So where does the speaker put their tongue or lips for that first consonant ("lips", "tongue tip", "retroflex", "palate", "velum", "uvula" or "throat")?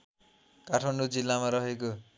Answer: velum